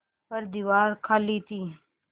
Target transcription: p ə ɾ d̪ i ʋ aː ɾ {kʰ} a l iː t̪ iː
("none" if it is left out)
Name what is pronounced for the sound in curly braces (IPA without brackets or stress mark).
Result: kʰ